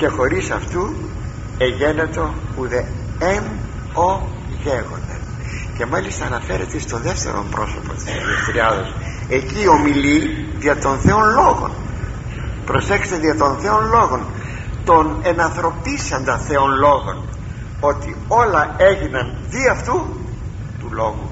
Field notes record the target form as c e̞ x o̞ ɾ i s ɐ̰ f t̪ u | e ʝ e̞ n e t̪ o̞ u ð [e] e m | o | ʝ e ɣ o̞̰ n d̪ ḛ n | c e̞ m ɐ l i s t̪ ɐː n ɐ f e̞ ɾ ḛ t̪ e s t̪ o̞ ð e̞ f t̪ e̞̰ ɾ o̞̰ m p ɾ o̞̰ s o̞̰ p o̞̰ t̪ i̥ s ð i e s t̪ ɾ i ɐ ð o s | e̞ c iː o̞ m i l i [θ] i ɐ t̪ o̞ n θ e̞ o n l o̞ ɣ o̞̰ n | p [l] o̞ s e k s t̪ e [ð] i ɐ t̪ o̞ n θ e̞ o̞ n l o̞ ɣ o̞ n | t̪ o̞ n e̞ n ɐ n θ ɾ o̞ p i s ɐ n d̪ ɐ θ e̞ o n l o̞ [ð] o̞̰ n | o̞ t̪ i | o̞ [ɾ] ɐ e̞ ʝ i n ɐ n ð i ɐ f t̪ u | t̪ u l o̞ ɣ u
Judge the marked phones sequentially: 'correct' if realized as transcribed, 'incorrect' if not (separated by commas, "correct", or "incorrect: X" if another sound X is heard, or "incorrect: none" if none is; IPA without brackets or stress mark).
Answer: correct, incorrect: ð, incorrect: ɾ, correct, incorrect: ɣ, incorrect: l